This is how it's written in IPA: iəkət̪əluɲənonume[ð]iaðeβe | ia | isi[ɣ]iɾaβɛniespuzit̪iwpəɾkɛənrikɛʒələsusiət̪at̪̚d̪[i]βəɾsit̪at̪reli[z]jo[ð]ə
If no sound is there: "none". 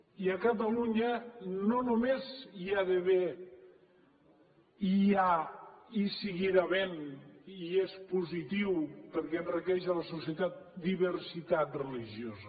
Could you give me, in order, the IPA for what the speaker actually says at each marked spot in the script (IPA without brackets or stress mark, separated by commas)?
z, ɣ, i, ʒ, z